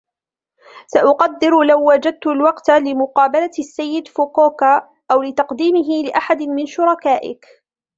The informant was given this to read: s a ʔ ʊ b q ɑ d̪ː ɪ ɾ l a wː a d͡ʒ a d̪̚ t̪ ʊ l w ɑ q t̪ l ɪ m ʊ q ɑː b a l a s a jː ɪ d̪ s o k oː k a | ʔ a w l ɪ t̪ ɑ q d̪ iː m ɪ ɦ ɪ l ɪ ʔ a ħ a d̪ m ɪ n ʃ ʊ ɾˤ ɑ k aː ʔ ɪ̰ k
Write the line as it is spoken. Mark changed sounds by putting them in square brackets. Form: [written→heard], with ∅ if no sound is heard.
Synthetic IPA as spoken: s a ʔ ʊ [b→∅] q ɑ d̪ː ɪ ɾ l a wː a d͡ʒ a d̪̚ t̪ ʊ l w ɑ q t̪ l ɪ m ʊ q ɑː b a l a [s→sː] a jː ɪ d̪ [s→f] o k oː k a | ʔ a w l ɪ t̪ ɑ q d̪ iː m ɪ ɦ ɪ l ɪ ʔ a ħ a d̪ m ɪ n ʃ ʊ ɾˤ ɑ k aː ʔ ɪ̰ k